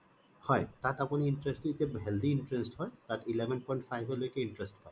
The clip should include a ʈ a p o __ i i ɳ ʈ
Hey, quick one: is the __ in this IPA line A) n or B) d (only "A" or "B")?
A